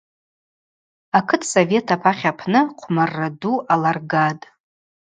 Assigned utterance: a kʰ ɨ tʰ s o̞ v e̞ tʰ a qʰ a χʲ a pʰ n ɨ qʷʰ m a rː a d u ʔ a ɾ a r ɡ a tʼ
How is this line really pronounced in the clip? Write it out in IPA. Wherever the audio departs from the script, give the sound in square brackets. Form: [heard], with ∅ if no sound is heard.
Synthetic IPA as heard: a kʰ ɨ tʰ s o̞ v e̞ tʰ a [pʰ] a χʲ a pʰ n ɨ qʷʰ m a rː a d u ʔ a [l] a r ɡ a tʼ